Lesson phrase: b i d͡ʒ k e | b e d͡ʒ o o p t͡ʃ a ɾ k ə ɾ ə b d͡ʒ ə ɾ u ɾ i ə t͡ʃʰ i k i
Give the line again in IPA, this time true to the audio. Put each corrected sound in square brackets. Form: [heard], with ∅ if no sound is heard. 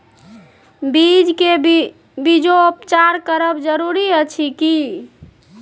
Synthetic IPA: b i d͡ʒ k e | b [i] d͡ʒ o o p t͡ʃ a ɾ k ə ɾ ə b d͡ʒ ə ɾ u ɾ i ə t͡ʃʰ i k i